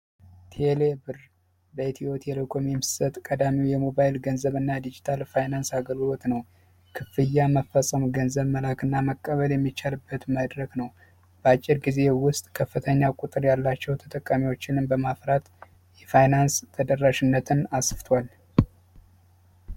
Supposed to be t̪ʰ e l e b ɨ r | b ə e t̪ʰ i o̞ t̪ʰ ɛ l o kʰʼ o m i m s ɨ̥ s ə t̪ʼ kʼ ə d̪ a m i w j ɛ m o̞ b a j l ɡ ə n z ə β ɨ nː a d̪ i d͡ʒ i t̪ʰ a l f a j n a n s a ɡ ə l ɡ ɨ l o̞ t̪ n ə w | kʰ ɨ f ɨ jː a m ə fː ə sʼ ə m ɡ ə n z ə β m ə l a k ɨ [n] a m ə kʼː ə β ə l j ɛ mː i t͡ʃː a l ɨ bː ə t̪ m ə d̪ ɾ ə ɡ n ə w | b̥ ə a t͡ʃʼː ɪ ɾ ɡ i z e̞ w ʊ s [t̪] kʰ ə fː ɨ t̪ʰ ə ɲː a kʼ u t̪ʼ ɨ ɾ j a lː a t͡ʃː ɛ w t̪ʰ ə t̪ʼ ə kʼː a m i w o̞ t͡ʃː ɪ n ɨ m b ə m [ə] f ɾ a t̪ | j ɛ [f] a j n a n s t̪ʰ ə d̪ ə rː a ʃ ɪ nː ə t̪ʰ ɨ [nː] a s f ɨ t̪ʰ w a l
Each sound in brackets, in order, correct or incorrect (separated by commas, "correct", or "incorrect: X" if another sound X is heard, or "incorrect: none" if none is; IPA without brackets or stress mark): incorrect: nː, incorrect: t̪ʼ, incorrect: a, correct, incorrect: n